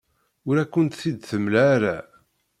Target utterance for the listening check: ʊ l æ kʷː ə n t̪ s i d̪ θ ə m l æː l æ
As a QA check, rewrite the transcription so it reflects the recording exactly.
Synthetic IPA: ʊ ɾ æ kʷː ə n t̪ θ i d̪ θ ə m l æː ɾ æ